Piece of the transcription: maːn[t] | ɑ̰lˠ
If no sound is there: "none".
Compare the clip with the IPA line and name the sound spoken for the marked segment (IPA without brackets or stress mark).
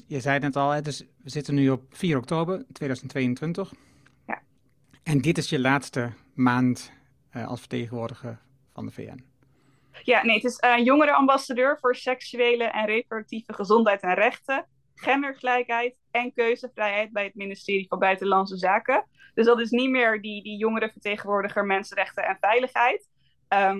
t